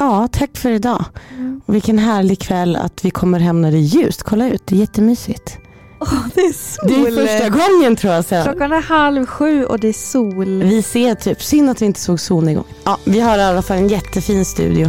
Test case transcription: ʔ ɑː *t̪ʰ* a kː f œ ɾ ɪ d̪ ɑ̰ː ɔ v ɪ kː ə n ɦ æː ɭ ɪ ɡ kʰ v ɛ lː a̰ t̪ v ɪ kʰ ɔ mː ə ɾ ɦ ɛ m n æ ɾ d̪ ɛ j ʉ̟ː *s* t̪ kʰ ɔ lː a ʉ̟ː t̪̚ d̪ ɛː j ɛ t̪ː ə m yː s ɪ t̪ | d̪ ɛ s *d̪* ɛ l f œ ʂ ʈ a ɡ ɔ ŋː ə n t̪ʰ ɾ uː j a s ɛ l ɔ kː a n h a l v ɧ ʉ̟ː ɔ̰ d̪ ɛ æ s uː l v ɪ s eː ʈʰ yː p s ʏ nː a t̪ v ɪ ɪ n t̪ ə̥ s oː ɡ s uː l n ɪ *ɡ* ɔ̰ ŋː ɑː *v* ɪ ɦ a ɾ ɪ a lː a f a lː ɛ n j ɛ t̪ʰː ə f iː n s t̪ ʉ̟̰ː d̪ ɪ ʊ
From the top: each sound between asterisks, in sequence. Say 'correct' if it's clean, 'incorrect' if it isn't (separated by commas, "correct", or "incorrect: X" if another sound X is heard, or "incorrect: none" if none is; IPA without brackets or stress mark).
correct, correct, correct, correct, correct